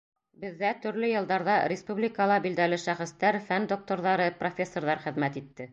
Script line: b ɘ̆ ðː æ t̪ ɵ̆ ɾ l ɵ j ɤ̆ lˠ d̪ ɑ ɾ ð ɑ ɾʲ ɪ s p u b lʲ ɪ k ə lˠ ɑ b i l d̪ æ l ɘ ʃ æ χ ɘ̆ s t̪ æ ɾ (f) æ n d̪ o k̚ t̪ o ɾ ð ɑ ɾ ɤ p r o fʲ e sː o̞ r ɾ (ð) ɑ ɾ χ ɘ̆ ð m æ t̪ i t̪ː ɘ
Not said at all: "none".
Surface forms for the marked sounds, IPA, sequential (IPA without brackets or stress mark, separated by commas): f, ð